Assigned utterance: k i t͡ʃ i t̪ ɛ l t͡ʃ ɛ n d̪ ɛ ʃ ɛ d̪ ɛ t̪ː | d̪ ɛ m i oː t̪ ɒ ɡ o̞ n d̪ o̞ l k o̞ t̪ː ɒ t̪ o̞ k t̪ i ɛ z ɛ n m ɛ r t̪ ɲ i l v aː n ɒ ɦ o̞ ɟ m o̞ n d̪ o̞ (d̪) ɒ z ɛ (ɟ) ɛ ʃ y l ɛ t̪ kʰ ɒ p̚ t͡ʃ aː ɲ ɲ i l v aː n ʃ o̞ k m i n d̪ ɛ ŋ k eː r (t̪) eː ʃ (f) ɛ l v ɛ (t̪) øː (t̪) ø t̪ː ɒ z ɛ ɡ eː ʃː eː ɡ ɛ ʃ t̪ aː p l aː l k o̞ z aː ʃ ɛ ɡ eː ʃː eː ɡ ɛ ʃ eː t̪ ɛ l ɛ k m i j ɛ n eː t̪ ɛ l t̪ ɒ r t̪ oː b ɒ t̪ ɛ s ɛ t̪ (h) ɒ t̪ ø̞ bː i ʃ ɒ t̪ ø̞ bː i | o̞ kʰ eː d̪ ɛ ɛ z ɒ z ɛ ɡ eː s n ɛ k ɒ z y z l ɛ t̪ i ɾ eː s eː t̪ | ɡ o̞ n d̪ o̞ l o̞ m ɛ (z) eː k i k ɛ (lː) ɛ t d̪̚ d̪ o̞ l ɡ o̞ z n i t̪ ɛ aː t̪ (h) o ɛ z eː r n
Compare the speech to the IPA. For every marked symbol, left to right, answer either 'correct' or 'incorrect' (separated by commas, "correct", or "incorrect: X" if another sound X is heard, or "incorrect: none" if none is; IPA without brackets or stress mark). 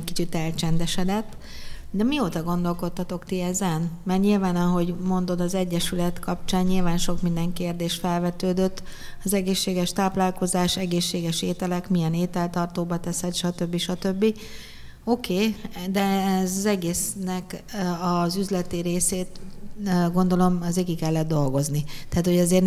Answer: correct, incorrect: ɟː, incorrect: d̪, correct, correct, incorrect: d̪, incorrect: ʃ, correct, correct, correct